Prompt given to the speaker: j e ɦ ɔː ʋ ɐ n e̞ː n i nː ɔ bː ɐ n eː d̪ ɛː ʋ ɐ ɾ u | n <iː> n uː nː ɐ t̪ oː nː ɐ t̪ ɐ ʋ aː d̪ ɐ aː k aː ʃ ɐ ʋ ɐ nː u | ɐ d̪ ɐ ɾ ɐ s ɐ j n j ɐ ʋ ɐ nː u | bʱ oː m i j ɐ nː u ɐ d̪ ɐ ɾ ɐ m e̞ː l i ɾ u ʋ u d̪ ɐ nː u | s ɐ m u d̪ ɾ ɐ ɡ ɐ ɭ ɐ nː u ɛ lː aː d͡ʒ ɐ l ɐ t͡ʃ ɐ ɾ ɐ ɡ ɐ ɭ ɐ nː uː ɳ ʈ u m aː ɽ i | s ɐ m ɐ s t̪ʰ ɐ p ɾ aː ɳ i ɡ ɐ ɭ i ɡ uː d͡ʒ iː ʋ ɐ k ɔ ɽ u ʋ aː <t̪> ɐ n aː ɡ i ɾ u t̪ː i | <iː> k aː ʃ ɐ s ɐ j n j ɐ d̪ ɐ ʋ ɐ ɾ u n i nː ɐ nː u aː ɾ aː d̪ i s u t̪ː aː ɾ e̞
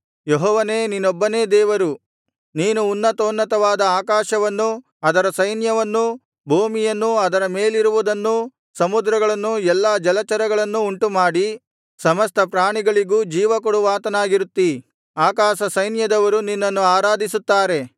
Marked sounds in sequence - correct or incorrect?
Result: correct, correct, incorrect: aː

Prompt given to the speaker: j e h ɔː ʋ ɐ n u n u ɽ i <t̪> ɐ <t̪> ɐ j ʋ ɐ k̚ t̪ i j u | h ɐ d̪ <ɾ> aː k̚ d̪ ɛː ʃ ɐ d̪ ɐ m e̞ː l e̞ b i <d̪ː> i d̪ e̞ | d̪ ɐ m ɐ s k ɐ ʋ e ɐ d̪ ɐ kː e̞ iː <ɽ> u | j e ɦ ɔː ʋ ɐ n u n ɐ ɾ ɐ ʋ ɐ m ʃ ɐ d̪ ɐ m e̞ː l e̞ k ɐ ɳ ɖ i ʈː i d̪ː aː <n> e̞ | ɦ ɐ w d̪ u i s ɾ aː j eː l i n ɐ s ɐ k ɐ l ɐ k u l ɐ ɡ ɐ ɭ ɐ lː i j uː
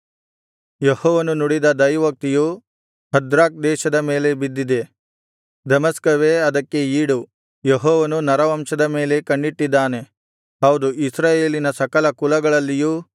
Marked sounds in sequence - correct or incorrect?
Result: incorrect: d̪, incorrect: d̪, correct, correct, correct, correct

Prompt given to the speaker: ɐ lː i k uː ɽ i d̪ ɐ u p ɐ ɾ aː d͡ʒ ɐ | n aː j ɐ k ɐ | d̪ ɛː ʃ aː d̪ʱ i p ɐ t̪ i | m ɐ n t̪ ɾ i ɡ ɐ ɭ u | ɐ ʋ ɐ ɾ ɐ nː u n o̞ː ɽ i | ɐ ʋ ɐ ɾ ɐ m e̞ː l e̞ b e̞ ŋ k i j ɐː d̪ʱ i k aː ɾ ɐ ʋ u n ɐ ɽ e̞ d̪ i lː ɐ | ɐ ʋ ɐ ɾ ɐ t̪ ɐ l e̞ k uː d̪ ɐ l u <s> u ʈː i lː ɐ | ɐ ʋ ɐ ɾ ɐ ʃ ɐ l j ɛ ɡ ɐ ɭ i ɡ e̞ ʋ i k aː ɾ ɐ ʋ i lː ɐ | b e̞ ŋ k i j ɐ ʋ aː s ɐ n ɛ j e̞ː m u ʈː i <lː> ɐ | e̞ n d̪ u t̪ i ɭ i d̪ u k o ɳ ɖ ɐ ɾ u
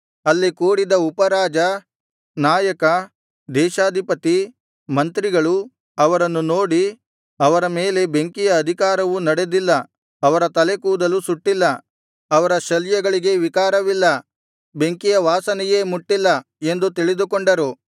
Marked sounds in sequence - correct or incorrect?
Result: correct, correct

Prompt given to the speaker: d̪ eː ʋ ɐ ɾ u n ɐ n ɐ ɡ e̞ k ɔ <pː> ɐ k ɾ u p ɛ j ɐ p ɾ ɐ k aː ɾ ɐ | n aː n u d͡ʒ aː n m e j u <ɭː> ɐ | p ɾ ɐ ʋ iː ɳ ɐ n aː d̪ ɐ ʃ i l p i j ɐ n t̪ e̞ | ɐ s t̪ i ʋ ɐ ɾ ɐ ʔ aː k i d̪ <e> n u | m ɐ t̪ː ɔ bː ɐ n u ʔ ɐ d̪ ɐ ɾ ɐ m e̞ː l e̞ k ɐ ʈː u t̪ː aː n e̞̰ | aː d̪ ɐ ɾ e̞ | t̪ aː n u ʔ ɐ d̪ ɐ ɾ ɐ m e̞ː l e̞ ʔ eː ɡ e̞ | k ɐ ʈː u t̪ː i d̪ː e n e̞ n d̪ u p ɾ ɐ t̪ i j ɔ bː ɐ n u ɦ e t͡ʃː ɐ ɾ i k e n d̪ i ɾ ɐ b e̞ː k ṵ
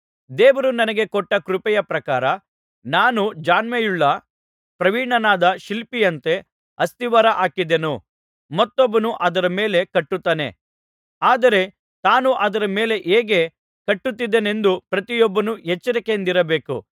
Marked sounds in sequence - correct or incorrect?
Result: incorrect: ʈː, correct, correct

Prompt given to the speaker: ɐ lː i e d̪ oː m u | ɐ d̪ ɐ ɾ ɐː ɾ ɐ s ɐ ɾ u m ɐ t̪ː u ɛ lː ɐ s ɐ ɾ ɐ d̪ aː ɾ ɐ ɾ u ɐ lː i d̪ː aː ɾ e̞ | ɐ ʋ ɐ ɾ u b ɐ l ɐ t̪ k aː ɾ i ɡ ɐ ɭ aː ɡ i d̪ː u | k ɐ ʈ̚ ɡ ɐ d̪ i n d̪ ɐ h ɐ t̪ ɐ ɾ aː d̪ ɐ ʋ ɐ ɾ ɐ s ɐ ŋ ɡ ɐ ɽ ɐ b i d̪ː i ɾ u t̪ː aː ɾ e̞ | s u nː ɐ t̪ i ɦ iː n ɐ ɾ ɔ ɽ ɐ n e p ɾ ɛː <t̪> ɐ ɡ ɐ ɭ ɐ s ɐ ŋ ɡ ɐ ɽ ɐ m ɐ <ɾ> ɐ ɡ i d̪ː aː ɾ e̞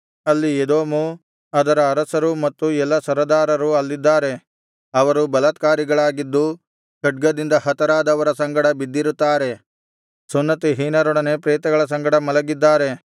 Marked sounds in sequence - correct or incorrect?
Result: correct, incorrect: l

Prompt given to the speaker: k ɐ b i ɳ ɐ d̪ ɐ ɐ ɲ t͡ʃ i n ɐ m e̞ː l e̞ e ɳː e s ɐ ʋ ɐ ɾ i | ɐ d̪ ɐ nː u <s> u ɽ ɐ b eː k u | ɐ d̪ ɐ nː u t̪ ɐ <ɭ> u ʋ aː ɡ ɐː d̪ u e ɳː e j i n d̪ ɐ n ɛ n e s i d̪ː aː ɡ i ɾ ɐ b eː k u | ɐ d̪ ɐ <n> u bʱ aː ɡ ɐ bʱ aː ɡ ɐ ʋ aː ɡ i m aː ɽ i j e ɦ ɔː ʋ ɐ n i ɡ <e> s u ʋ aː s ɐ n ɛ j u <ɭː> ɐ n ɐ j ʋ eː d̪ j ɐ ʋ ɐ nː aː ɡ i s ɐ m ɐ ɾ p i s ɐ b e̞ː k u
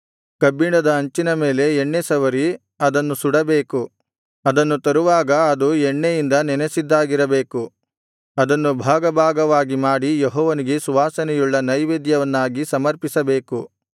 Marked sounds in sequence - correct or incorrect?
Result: correct, incorrect: ɾ, incorrect: nː, correct, correct

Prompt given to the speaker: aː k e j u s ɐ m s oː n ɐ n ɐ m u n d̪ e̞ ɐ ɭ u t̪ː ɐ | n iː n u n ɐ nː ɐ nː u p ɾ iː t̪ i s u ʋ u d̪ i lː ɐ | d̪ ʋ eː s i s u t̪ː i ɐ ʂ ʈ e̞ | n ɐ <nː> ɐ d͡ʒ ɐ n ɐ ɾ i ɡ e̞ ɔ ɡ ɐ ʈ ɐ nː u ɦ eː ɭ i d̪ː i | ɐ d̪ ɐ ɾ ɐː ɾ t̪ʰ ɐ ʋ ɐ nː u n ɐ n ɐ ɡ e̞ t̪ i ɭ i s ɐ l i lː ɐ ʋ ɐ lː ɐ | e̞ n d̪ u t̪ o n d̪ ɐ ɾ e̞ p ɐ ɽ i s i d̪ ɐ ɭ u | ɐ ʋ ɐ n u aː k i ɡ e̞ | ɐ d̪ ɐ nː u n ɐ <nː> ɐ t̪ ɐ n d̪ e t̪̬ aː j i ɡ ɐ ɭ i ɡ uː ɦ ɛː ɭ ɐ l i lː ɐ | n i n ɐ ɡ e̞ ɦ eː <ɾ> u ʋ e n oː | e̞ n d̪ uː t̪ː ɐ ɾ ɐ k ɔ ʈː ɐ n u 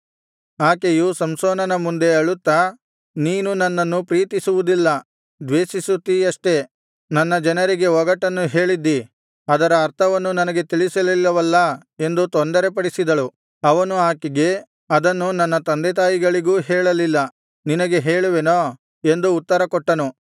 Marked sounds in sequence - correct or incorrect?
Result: correct, correct, incorrect: ɭ

